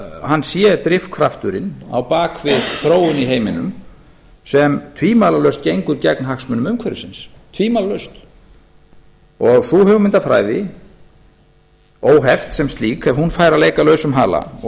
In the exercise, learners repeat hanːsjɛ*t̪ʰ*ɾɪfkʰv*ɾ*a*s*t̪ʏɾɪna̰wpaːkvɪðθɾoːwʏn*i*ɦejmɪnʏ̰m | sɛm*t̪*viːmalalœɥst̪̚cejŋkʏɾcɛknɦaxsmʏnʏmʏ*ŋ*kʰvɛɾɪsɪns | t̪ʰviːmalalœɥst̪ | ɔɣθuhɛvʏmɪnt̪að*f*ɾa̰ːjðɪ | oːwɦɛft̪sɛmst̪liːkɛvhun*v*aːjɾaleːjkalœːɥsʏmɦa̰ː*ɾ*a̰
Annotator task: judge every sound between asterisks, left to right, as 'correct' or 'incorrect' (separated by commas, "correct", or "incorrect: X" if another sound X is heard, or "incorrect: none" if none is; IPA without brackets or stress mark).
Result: incorrect: t̪, correct, incorrect: f, correct, incorrect: t̪ʰ, incorrect: m, correct, incorrect: f, incorrect: l